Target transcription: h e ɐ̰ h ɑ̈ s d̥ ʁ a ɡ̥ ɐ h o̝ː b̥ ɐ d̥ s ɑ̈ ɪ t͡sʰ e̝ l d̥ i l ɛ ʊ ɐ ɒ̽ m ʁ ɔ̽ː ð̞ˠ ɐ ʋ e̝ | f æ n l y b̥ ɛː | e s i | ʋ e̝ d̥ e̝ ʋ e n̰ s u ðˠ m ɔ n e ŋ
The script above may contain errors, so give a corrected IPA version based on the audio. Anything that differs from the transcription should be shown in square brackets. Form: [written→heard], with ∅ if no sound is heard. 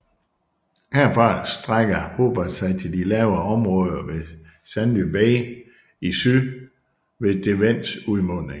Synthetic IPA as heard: h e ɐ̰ [h→f] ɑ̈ s d̥ ʁ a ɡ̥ ɐ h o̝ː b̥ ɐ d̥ s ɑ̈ ɪ t͡sʰ e̝ l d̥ i l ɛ ʊ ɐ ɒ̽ m ʁ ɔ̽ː ð̞ˠ ɐ ʋ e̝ | [f→s] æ n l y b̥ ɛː | [e→i] s [i→y] | ʋ e̝ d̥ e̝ ʋ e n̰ s u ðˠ m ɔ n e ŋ